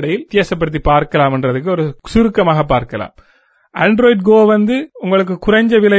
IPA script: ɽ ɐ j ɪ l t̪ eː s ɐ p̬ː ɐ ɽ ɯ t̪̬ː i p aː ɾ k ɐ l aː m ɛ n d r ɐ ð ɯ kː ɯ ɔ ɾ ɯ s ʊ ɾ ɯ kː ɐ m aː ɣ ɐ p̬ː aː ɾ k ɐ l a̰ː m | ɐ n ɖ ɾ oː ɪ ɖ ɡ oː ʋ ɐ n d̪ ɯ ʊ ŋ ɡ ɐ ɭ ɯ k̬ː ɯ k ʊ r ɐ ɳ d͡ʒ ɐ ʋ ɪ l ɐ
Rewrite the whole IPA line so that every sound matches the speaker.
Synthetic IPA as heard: ɽ ɐ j ɪ l t̪ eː s ɐ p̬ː ɐ ɽ ɯ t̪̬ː i p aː ɾ k ɐ l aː m ɛ n d r ɐ ð ɯ kː ɯ ɔ ɾ ɯ s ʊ ɾ ɯ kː ɐ m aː ɣ ɐ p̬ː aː ɾ k ɐ l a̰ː m | ɐ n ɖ ɾ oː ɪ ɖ ɡ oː ʋ ɐ n d̪ ɯ ʊ ŋ ɡ ɐ ɭ ɯ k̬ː ɯ k ʊ r ɐ ɲ d͡ʒ ɐ ʋ ɪ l ɐ